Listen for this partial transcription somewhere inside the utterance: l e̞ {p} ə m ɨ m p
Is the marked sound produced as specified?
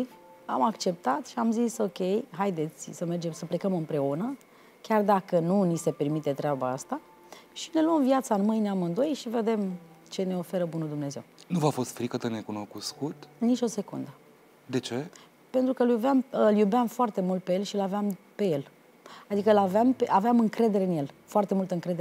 no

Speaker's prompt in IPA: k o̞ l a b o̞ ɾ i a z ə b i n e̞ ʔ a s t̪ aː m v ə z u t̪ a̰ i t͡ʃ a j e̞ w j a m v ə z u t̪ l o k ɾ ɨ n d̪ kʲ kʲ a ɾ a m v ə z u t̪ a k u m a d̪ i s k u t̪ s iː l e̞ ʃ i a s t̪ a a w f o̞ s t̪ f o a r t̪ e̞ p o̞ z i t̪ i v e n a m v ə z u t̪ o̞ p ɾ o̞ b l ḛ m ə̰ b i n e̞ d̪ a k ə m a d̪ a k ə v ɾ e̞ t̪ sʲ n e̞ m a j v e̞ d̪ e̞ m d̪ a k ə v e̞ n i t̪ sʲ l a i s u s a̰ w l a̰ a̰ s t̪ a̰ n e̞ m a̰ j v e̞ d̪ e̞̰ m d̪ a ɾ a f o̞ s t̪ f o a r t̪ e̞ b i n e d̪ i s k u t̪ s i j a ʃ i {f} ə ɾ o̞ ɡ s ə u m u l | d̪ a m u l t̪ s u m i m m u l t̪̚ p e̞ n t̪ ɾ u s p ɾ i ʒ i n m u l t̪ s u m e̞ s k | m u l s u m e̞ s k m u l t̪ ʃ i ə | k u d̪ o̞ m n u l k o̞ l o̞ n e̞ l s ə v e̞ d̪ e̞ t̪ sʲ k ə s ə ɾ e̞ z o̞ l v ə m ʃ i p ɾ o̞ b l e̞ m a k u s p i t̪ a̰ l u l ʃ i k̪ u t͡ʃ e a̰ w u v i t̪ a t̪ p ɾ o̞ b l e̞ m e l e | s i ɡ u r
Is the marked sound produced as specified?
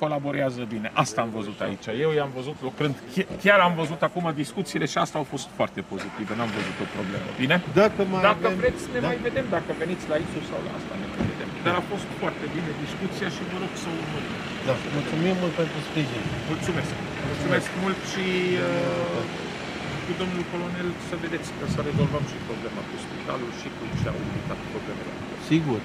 no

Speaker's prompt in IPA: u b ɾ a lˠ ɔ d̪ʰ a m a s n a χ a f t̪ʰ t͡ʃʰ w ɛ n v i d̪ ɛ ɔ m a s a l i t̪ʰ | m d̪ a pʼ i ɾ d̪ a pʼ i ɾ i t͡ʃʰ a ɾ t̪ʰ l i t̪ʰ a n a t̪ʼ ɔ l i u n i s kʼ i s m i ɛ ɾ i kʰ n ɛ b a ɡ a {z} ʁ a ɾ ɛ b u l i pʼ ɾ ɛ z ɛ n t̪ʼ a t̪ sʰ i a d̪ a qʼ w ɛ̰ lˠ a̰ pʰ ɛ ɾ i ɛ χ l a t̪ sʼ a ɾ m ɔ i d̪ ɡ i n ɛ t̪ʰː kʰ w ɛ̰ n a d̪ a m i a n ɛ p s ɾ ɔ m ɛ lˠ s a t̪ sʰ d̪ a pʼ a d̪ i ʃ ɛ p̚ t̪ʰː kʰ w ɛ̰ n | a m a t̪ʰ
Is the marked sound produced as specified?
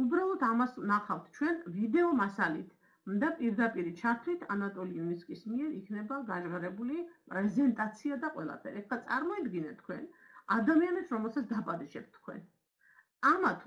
no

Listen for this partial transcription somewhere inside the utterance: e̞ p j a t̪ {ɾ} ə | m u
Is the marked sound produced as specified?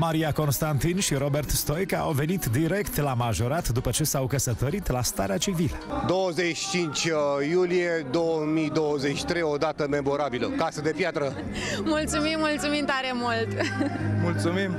yes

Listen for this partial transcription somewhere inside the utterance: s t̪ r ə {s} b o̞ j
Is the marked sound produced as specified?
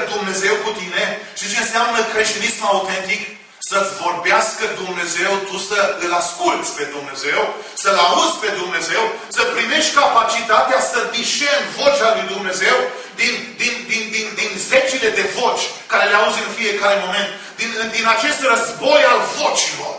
no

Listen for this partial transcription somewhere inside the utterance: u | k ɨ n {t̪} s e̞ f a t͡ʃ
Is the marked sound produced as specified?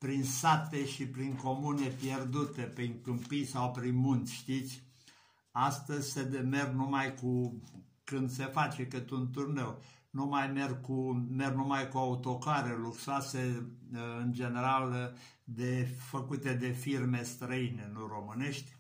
no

